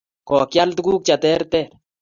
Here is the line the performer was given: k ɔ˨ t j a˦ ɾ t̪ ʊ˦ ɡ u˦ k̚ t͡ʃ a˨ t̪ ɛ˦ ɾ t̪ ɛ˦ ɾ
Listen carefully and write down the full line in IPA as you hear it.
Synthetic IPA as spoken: k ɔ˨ k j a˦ l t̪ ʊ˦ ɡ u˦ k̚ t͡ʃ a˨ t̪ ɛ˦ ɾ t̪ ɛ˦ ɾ